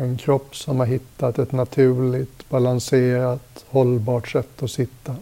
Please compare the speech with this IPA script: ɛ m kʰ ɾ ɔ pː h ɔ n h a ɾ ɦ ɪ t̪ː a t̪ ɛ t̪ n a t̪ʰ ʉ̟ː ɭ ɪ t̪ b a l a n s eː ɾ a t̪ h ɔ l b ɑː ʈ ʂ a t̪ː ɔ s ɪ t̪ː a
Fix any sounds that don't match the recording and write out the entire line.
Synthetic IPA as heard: ɛ n kʰ ɾ ɔ pː s ɔ m h a ɾ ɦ ɪ t̪ː a t̪ ɛ t̪ n a t̪ʰ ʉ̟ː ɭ ɪ t̪ b a l a n s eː ɾ a t̪ h ɔ l b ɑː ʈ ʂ ɛ t̪ː ɔ s ɪ t̪ː a